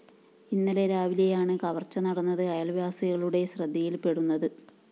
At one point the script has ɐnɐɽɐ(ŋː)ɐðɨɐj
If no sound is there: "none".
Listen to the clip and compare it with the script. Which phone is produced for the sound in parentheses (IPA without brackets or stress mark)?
nː